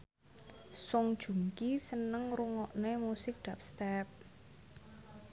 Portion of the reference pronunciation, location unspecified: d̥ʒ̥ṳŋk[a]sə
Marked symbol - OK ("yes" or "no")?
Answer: no